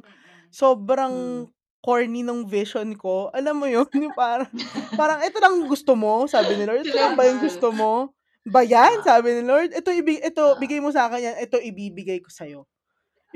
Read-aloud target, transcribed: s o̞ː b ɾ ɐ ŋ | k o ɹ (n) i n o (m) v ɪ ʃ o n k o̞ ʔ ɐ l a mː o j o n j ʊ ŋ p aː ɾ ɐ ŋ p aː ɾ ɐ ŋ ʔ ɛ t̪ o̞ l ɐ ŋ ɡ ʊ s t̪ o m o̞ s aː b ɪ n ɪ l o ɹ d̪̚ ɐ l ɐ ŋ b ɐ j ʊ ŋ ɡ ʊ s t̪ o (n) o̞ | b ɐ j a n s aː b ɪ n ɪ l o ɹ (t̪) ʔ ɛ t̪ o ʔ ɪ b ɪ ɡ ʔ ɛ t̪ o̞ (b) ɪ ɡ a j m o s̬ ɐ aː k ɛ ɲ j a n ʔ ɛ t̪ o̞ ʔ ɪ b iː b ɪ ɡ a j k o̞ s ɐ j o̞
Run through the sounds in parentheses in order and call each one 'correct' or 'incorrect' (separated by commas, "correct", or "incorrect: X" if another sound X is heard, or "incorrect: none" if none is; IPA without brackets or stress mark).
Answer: correct, incorrect: ŋ, incorrect: m, incorrect: d̪, correct